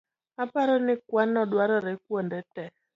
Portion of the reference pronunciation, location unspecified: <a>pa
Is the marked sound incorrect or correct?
correct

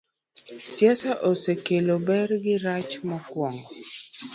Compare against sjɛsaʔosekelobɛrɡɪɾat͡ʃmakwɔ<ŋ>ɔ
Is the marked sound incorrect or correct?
correct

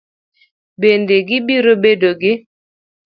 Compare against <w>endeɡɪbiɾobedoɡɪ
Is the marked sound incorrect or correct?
incorrect: b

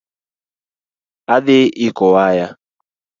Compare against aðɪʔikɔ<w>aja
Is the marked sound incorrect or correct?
correct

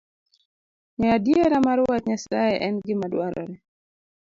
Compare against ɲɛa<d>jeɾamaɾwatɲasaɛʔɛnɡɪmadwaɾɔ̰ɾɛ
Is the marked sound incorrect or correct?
correct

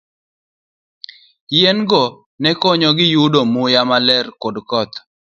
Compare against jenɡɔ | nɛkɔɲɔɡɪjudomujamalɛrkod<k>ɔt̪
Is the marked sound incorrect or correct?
correct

